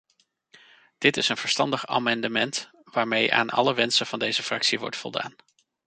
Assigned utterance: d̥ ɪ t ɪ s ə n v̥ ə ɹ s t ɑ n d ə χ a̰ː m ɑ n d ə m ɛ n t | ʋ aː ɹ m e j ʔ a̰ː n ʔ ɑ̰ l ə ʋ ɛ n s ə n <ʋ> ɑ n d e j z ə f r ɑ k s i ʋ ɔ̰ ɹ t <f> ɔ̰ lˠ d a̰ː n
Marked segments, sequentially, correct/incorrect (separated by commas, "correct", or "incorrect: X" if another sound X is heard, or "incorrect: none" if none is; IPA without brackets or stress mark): incorrect: v, correct